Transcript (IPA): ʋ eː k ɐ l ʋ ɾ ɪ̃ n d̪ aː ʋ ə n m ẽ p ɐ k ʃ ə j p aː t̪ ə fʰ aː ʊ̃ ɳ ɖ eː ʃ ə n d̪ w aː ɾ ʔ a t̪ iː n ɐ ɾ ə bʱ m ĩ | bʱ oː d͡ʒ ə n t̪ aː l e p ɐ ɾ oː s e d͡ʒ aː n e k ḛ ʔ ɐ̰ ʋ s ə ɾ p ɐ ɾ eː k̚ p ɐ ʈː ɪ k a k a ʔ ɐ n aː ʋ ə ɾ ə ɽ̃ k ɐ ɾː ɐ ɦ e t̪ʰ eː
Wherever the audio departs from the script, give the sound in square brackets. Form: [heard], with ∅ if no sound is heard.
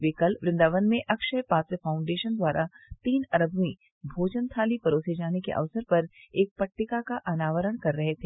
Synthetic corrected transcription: ʋ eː k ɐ l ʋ ɾ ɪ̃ n d̪ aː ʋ ə n m ẽ [ʔ] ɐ k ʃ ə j p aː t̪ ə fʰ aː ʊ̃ ɳ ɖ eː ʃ ə n d̪ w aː ɾ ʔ a t̪ iː n ɐ ɾ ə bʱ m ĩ | bʱ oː d͡ʒ ə n [t̪ʰ] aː l [i] p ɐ ɾ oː s e d͡ʒ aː n e k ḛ ʔ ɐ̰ ʋ s ə ɾ p ɐ ɾ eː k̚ p ɐ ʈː ɪ k a k a ʔ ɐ n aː ʋ ə ɾ ə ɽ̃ k ɐ ɾː ɐ ɦ e t̪ʰ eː